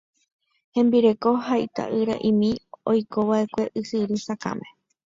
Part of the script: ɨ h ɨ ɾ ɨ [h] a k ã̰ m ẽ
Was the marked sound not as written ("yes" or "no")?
yes